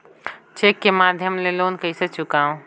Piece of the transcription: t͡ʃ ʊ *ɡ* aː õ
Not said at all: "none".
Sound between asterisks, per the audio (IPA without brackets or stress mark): k